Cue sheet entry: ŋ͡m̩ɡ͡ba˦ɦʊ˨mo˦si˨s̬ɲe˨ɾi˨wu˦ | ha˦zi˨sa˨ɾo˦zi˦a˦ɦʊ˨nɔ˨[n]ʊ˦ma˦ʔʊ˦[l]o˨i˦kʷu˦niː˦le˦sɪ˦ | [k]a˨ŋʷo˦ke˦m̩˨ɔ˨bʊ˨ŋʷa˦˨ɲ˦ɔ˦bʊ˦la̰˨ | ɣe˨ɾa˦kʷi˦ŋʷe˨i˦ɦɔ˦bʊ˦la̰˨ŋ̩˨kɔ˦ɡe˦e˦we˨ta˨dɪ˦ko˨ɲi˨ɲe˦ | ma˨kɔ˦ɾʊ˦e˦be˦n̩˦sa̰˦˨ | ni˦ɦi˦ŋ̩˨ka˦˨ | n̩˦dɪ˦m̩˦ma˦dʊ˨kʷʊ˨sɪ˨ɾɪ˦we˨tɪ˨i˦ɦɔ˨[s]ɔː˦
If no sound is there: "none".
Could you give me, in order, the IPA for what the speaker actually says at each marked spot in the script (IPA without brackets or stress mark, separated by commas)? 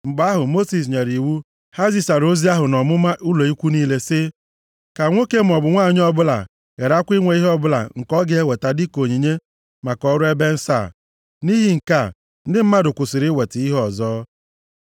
m, l, k, z